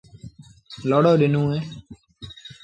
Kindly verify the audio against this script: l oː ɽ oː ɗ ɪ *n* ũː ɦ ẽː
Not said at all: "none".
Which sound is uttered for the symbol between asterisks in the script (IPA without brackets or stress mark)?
n